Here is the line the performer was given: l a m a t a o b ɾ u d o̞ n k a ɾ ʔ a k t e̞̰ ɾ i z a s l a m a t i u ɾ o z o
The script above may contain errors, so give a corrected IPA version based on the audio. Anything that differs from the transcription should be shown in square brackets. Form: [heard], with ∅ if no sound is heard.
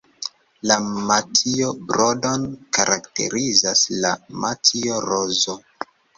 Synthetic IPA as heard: l a m a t [i] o b ɾ [o] d o̞ n k a ɾ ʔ a k t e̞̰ ɾ i z a s l a m a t i [o] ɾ o z o